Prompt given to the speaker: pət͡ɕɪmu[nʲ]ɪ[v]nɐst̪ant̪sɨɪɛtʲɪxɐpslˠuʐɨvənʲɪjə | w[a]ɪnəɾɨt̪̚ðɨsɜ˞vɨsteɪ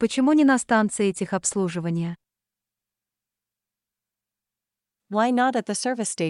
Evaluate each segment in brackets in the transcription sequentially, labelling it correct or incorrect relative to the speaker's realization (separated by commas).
correct, incorrect, correct